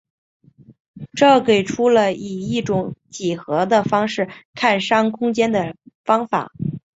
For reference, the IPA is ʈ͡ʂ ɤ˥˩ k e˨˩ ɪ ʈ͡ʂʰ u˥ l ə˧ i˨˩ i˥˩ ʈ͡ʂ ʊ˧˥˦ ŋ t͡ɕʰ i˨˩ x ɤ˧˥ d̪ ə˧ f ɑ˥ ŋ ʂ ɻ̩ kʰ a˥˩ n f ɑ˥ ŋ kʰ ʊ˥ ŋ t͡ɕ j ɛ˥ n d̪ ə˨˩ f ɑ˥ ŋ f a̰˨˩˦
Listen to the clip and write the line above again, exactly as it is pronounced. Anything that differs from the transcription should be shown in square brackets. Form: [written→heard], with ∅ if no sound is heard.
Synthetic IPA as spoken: ʈ͡ʂ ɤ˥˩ k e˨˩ ɪ ʈ͡ʂʰ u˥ l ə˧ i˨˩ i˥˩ ʈ͡ʂ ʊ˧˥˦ ŋ [t͡ɕʰ→t͡ɕ] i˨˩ x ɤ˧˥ d̪ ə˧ f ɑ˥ ŋ ʂ ɻ̩ kʰ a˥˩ n [f→ʂ] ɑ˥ ŋ kʰ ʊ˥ ŋ t͡ɕ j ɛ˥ n d̪ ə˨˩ f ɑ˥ ŋ f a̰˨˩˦